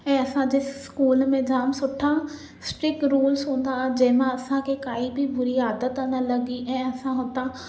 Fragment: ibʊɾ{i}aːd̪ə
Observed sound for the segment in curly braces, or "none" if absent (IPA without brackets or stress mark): i